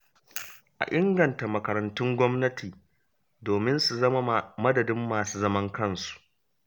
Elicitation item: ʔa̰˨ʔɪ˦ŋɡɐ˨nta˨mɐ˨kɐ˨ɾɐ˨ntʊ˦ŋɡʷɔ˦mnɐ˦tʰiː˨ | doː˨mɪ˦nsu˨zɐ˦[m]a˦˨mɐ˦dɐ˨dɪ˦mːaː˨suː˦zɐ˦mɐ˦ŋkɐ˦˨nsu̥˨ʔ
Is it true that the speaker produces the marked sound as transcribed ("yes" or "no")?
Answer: yes